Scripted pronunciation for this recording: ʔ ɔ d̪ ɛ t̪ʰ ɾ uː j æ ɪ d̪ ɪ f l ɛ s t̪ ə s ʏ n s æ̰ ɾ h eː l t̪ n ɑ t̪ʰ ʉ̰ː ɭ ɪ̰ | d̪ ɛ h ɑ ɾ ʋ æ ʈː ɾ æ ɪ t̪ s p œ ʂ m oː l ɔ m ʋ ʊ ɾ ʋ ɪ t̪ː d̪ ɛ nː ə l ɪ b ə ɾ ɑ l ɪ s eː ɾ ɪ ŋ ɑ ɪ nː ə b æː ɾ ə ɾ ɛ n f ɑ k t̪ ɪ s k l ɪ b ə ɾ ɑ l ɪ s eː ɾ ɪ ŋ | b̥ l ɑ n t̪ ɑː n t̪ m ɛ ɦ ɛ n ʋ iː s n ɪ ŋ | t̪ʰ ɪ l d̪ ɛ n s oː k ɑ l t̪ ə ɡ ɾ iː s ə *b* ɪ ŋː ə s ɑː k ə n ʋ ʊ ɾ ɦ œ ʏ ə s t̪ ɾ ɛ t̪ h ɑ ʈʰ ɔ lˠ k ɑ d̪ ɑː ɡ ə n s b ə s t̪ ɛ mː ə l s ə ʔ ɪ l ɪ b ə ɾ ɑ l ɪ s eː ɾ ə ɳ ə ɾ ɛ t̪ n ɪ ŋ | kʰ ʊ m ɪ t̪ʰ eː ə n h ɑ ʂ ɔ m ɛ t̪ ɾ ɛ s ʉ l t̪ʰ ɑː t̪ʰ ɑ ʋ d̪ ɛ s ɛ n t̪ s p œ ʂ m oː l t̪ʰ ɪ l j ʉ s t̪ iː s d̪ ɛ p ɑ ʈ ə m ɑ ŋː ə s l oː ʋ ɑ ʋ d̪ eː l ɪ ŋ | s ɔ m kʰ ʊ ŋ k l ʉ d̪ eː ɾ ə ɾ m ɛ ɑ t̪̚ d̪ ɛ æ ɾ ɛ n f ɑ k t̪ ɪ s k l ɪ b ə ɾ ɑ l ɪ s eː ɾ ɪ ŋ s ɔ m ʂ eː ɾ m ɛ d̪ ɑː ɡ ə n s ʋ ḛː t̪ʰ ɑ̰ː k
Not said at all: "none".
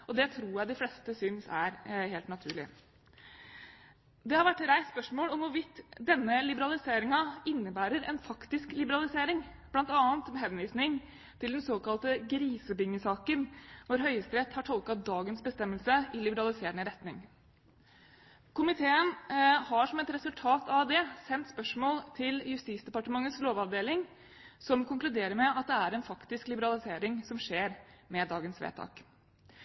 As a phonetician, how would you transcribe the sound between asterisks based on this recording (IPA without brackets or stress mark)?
b